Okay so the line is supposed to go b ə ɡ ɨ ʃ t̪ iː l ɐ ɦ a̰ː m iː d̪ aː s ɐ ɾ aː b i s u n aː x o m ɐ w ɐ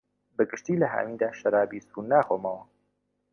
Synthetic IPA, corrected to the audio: b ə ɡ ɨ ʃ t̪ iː l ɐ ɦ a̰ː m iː d̪ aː ʃ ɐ ɾ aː b i s u n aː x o m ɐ w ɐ